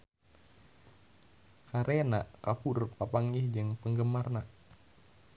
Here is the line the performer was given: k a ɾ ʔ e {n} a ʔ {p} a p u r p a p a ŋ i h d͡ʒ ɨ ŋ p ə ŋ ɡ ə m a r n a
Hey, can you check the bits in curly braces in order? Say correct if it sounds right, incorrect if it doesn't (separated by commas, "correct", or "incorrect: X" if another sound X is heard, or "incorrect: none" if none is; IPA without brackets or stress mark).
correct, incorrect: k